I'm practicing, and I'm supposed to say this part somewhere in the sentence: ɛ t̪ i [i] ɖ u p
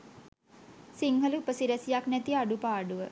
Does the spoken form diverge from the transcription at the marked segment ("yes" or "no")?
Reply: yes